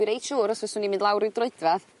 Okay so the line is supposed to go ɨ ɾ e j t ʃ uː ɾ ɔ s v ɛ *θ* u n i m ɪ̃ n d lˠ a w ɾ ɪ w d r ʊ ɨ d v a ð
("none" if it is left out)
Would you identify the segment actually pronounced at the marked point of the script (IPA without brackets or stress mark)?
s